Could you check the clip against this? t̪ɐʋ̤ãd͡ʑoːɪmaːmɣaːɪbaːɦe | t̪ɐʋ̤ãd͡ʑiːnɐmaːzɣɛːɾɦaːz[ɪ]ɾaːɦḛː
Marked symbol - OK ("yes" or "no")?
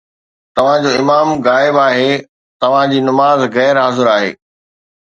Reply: yes